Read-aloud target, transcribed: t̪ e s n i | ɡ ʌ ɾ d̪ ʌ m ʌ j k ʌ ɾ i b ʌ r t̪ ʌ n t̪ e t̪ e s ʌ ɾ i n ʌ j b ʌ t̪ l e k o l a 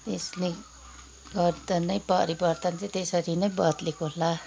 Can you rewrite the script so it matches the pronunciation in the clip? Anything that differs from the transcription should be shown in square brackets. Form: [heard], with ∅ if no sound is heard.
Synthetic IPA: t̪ e s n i | ɡ ʌ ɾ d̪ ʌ [n] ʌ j [p] ʌ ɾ i b ʌ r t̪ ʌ n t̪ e t̪ e s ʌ ɾ i n ʌ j b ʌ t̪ l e k o l a